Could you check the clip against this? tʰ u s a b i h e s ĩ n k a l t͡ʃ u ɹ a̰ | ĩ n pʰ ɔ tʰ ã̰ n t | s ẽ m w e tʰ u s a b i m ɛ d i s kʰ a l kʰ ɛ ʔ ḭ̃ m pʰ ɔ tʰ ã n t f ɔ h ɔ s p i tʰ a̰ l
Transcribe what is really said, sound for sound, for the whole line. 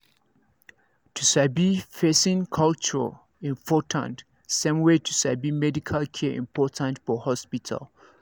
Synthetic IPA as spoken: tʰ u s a b i f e s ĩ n kʰ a l t͡ʃ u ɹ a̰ | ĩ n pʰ ɔ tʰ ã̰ n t | s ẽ m w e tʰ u s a b i m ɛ d i kʰ a l kʰ ɛ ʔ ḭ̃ m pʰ ɔ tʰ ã n t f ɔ h ɔ s p i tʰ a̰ l